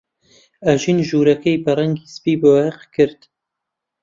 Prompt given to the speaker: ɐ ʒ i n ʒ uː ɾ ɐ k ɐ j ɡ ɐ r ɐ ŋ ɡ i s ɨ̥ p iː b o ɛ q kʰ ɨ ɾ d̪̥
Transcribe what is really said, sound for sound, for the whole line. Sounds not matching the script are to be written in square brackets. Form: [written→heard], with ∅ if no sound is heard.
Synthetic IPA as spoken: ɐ ʒ i n ʒ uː ɾ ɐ k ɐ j [ɡ→b] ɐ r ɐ ŋ ɡ i s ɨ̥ p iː b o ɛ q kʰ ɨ ɾ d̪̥